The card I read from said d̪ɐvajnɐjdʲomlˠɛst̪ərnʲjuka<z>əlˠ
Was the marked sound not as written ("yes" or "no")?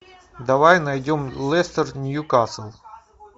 yes